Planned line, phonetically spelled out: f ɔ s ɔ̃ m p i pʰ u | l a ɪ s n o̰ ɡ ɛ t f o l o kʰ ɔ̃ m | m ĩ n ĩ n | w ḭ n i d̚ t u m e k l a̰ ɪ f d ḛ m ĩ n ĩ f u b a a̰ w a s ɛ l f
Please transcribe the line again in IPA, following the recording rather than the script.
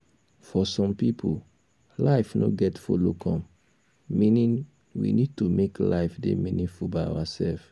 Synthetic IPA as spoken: f ɔ s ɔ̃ m p i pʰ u | l a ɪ f n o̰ ɡ ɛ t f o l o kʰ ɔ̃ m | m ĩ n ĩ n | w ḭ n i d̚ t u m e k l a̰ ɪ f d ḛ m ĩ n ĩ f u b a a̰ w a s ɛ l f